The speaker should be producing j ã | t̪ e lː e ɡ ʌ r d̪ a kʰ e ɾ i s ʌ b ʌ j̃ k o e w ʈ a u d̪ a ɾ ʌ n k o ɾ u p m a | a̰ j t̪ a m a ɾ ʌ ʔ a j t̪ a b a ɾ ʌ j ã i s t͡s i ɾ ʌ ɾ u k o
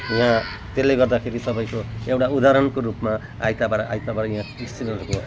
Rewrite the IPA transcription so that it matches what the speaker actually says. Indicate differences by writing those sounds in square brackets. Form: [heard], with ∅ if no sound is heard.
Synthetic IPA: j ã | t̪ e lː e ɡ ʌ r d̪ a kʰ e ɾ i s ʌ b ʌ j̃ k o e w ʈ a u d̪ a ɾ ʌ n k o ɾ u p m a | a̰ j t̪ a [b] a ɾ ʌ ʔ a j t̪ a b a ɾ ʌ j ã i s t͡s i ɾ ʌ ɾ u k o